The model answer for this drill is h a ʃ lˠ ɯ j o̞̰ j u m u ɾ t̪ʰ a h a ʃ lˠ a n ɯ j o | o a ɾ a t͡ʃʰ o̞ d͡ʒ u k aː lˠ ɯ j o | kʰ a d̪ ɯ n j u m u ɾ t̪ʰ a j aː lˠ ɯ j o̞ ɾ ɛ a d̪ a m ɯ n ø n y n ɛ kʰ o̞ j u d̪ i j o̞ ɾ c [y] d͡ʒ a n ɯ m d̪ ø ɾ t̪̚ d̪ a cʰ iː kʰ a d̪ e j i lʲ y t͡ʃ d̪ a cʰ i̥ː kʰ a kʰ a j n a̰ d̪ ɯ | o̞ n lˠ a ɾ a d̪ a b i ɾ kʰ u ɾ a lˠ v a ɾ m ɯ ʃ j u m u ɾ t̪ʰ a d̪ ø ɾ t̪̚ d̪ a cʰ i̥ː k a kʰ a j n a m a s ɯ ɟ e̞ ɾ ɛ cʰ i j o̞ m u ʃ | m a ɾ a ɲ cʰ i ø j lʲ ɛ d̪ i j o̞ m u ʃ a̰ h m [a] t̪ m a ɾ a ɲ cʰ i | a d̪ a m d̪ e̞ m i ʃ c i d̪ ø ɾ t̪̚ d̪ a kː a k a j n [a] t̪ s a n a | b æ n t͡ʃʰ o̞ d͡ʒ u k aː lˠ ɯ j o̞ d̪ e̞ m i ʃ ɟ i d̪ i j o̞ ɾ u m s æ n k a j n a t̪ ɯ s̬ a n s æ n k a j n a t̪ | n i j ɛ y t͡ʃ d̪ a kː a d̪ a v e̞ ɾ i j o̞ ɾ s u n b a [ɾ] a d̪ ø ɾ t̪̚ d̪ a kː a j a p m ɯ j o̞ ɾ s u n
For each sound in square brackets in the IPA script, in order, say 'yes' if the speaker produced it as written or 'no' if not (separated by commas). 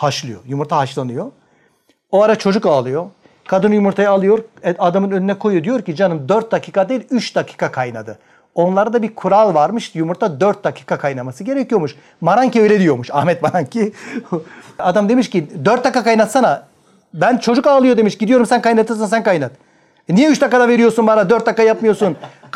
no, no, yes, yes